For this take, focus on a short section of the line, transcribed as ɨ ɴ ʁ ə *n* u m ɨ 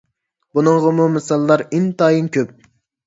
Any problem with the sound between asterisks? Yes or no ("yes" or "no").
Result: yes